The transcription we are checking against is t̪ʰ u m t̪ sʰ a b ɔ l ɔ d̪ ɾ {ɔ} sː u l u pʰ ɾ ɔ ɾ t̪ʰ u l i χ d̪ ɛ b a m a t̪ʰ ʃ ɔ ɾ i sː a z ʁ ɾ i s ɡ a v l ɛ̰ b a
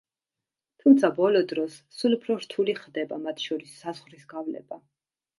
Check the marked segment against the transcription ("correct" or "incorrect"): correct